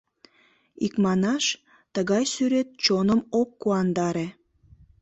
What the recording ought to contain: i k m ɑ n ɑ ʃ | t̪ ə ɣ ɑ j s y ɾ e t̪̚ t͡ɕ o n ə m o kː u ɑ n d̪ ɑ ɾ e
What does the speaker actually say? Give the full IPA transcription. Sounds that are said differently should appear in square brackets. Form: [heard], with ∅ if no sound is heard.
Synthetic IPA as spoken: i k m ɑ n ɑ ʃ | t̪ ə ɣ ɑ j s y ɾ e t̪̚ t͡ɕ o n ə m o kː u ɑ n d̪ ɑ ɾ e